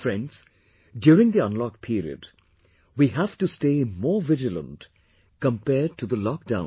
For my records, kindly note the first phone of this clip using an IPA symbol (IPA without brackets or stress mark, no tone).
f